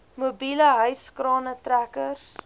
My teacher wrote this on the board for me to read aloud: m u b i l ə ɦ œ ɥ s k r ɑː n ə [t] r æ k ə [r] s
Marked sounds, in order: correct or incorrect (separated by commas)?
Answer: correct, correct